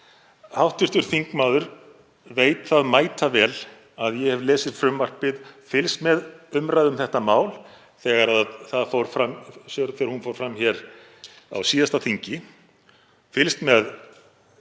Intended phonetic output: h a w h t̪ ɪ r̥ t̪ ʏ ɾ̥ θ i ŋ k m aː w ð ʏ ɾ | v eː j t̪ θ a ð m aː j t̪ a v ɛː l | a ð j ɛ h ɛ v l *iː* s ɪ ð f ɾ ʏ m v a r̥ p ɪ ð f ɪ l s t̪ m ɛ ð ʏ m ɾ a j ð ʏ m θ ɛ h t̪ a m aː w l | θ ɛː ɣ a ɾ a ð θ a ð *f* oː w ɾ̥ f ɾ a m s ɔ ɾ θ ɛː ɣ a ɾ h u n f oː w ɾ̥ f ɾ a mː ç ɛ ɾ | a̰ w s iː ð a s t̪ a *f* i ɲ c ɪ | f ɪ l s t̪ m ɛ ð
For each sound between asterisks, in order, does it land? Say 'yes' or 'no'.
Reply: no, yes, no

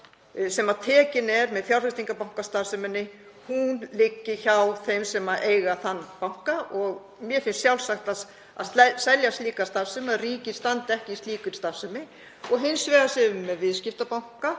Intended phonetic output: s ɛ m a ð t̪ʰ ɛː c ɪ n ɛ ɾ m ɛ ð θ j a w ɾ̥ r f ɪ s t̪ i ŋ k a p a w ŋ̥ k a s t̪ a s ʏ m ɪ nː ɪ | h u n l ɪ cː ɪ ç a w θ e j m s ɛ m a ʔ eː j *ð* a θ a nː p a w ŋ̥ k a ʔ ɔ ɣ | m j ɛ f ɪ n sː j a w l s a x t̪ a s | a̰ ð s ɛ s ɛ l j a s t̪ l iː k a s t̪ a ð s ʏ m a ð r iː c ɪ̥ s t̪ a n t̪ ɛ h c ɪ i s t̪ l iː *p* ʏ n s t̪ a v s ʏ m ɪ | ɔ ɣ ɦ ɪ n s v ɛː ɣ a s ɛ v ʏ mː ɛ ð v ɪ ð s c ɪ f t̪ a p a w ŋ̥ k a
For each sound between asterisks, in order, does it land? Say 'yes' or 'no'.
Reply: no, no

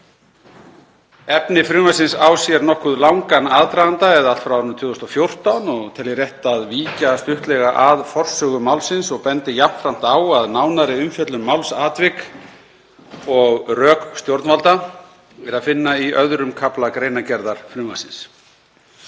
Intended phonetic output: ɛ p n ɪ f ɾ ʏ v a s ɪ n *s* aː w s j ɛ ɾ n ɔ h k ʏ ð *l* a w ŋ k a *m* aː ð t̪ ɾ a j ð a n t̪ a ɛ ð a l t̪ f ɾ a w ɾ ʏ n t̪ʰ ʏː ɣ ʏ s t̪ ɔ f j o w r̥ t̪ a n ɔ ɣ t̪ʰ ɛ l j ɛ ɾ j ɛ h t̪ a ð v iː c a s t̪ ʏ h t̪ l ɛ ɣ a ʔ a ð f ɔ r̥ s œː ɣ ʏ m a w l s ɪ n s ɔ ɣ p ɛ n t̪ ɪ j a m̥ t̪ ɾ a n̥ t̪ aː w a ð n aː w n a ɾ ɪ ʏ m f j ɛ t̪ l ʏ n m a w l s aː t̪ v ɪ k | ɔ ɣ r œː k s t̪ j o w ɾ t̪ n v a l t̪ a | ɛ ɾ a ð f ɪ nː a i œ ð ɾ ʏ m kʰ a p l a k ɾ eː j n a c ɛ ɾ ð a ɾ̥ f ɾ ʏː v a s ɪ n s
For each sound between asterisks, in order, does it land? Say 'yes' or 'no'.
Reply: yes, yes, no

